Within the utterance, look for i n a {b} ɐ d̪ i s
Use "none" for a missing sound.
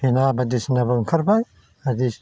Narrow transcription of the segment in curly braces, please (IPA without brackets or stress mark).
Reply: b